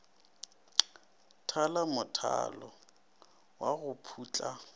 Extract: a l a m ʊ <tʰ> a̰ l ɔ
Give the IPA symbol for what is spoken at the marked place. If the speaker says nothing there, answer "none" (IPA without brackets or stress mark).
tʰ